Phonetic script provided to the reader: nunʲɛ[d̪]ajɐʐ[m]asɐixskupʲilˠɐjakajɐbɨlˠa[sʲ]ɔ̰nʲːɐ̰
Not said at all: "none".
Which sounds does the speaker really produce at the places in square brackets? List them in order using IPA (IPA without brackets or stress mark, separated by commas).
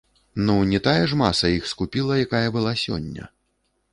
t̪, m, sʲ